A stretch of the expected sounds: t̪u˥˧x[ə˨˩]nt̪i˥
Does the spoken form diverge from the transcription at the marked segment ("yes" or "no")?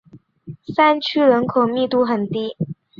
no